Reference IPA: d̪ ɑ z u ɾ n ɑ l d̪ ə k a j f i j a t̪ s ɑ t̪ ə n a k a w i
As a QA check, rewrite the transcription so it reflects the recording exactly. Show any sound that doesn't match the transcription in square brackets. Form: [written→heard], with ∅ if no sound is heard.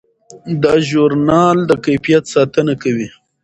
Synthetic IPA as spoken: d̪ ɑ [z→ʒ] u ɾ n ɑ l d̪ ə k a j f i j a t̪ s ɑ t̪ ə n a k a w i